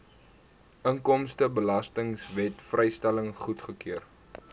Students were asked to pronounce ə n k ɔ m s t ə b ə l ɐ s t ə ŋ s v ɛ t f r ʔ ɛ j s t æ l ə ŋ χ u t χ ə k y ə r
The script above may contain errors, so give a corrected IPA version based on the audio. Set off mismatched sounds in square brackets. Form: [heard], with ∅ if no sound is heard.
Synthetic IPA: ə [ŋ] k ɔ m s t ə b ə l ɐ s t ə ŋ s v ɛ t f r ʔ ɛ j s t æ l ə ŋ χ u t χ ə k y ə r